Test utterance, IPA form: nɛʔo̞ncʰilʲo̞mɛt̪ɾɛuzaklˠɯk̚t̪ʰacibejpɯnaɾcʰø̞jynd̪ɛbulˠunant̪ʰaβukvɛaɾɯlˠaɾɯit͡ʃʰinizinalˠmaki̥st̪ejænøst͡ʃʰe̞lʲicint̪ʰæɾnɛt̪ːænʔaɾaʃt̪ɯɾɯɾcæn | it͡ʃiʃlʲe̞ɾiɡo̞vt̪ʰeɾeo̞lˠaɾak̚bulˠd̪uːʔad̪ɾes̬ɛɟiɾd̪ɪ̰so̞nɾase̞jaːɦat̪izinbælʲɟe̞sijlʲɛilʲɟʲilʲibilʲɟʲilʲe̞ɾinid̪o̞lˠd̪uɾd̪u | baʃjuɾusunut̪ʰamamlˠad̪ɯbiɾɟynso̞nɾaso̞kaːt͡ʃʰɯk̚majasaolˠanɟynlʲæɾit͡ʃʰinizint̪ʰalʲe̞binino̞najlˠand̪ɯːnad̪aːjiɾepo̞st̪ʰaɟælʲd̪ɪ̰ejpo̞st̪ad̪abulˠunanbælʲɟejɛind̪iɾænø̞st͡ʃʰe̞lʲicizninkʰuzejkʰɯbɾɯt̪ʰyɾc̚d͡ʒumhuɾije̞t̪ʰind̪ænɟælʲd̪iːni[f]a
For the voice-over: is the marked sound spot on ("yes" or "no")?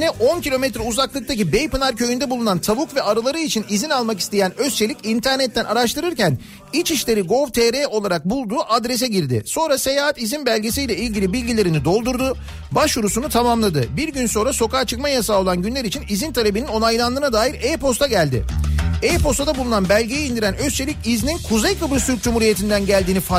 yes